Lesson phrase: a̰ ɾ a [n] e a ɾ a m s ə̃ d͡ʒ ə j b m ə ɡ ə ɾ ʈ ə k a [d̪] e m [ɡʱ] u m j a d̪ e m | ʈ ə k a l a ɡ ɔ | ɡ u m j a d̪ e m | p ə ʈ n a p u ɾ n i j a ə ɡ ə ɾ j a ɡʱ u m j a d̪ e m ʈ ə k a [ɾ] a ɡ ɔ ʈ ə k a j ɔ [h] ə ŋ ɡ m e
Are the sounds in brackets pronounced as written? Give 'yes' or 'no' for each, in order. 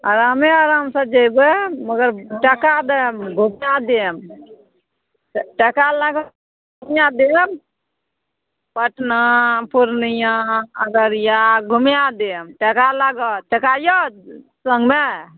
no, yes, yes, no, no

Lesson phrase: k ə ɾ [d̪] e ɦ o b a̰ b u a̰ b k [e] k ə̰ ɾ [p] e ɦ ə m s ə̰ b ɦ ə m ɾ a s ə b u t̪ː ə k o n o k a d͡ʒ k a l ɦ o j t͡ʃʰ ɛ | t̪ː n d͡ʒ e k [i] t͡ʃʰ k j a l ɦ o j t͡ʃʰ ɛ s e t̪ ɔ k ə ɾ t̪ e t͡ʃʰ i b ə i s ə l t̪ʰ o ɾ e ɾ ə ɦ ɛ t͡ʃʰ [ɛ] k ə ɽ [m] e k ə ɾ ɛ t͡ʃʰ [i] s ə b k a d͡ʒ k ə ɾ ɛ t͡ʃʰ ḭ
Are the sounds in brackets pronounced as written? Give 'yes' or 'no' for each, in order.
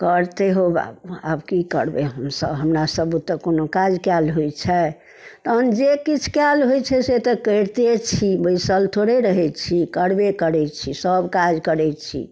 no, no, no, yes, no, no, yes

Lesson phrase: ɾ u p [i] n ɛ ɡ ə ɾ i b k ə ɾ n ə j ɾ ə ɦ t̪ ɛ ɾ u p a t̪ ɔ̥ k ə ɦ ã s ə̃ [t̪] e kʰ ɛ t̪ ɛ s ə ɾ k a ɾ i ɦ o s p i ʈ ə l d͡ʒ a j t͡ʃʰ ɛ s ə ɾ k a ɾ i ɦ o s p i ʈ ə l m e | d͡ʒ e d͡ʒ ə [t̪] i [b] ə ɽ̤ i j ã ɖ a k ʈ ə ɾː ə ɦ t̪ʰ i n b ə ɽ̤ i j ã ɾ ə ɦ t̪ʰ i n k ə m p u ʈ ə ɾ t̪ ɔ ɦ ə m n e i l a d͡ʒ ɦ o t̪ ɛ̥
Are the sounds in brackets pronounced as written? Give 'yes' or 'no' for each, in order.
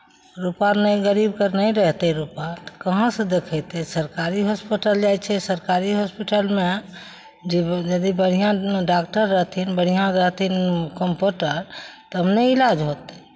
no, no, no, yes

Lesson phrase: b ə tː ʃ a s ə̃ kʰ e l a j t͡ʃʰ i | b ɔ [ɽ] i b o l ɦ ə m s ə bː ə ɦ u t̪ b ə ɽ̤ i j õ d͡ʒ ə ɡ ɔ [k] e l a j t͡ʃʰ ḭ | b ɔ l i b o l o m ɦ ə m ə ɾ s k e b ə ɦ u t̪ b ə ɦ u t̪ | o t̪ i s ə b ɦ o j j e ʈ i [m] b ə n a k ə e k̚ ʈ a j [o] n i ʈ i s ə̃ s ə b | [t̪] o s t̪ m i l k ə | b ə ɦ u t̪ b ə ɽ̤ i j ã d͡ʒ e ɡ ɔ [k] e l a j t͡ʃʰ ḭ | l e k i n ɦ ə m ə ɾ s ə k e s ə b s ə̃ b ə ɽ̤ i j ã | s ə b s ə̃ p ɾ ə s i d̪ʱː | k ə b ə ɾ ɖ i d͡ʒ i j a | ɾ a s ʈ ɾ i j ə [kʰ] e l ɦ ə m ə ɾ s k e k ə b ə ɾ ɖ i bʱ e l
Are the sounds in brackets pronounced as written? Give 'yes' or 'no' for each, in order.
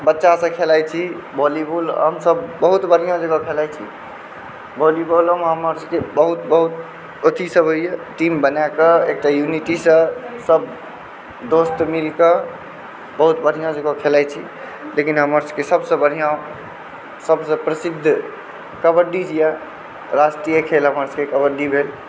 no, no, yes, no, no, no, yes

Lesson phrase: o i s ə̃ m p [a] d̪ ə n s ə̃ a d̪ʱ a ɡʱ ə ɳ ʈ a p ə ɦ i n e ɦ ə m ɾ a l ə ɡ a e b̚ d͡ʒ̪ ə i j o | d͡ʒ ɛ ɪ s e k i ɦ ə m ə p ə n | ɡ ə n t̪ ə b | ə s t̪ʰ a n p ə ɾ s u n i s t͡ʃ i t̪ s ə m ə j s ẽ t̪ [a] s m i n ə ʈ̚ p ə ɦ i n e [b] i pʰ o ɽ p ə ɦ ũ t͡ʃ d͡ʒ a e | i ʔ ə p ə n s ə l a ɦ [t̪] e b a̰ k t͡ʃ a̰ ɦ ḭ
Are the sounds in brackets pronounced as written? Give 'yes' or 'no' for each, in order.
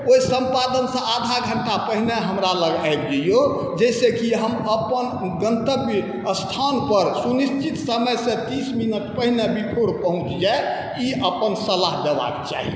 yes, no, yes, no

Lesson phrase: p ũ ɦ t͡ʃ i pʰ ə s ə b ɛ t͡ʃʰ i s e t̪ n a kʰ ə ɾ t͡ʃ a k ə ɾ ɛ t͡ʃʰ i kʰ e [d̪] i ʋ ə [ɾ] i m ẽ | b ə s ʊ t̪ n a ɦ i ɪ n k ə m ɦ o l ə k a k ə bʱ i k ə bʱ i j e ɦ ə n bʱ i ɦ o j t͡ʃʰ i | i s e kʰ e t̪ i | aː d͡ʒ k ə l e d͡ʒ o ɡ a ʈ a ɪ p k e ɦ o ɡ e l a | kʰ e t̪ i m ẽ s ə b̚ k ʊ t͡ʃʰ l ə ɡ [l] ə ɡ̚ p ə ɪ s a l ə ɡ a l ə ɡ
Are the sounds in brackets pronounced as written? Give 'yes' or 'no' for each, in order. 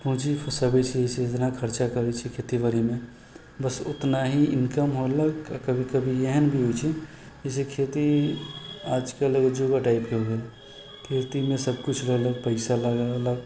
no, yes, yes

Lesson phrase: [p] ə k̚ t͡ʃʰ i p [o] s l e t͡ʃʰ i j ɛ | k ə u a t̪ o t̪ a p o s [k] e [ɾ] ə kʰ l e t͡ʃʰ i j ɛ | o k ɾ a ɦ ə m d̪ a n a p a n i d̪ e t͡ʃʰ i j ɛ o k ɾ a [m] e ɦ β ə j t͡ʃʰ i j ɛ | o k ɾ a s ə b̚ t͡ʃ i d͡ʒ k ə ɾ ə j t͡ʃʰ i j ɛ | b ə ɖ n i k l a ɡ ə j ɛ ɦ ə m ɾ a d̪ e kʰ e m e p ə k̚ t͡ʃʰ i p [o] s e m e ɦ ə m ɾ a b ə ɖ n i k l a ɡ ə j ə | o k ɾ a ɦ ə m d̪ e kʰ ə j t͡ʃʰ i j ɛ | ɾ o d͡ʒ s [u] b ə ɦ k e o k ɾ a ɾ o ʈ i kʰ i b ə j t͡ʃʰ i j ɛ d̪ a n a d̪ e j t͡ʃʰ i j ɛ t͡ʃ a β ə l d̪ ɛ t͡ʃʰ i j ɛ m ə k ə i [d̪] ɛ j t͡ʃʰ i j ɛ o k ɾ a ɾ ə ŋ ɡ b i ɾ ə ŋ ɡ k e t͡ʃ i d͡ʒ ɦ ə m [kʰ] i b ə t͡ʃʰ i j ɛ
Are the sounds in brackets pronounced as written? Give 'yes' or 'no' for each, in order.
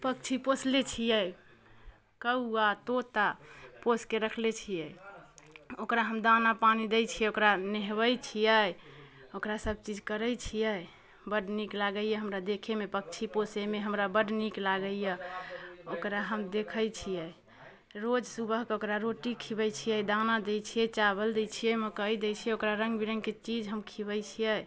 yes, yes, yes, yes, no, yes, yes, yes, yes

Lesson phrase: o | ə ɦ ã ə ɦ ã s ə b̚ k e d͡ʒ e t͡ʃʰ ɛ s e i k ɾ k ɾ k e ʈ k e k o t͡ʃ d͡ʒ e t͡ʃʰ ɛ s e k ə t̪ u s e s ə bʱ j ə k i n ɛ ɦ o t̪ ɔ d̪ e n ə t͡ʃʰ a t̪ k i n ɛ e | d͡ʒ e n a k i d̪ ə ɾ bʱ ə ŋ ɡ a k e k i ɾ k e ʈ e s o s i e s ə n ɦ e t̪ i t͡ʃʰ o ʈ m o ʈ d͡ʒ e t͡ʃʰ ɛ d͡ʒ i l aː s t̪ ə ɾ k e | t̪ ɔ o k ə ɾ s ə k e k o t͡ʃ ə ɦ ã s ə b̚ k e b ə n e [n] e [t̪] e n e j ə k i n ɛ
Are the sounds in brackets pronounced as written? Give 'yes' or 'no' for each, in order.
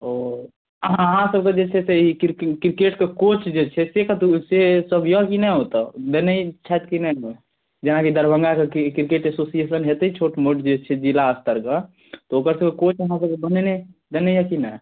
yes, no

